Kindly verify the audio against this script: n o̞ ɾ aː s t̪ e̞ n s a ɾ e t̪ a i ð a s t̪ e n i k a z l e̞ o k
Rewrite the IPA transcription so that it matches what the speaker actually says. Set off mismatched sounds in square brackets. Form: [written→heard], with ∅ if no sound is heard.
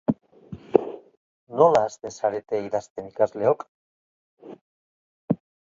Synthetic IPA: n o̞ [ɾ→l] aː s t̪ e̞ n s a ɾ e t̪ [a→e] i ð a s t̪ e n i k a z l e̞ o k